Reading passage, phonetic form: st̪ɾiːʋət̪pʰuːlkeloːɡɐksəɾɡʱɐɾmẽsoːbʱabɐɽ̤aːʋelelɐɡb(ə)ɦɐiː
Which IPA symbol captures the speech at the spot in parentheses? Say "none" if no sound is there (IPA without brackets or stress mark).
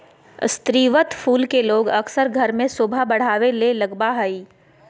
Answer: a